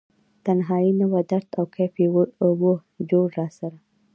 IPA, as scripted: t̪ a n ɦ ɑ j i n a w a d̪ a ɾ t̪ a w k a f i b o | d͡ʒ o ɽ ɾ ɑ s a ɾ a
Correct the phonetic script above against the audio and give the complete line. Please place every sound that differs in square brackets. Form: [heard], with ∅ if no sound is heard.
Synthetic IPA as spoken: t̪ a n ɦ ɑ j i n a w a d̪ a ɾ t̪ a w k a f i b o | d͡ʒ o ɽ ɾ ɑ s a ɾ a